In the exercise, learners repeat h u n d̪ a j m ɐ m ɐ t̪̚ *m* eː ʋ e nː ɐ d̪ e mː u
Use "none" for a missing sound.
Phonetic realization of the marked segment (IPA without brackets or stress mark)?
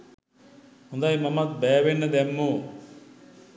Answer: b